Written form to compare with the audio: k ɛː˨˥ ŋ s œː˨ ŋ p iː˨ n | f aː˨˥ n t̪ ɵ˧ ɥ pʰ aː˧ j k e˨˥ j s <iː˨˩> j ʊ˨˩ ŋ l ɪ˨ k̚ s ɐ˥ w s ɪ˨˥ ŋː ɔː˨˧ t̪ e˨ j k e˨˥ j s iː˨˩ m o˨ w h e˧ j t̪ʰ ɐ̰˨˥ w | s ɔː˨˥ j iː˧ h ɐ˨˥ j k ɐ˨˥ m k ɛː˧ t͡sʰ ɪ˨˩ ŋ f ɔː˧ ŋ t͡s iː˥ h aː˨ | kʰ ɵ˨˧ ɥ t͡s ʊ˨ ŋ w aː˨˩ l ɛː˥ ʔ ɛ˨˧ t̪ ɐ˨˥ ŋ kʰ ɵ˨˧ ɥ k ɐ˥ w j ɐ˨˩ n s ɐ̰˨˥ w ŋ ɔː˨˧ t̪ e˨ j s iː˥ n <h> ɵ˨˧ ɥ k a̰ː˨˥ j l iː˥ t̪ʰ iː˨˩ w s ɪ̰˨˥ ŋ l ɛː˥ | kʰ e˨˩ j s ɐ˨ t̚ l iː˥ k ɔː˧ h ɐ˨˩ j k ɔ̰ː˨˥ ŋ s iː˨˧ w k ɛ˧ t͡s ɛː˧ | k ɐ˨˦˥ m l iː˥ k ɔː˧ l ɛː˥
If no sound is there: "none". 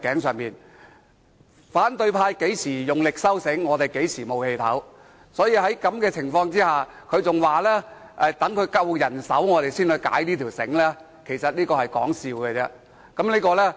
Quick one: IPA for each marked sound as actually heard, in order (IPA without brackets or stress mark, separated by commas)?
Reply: iː˨˩, h